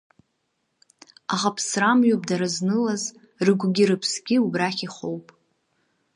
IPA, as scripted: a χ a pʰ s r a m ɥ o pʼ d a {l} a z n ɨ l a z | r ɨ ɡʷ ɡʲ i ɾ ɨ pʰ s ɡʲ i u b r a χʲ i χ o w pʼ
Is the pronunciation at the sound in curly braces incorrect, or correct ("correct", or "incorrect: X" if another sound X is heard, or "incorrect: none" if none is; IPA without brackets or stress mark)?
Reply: incorrect: ɾ